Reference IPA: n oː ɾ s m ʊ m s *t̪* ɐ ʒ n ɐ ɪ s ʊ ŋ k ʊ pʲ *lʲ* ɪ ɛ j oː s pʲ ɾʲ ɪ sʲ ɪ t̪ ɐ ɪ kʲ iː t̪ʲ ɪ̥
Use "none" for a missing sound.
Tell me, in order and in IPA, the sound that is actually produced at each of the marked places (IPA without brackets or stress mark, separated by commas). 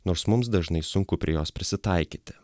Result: d̪, ɾʲ